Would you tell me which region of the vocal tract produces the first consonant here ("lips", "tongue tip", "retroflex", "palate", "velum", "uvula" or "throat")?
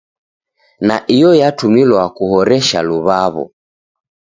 tongue tip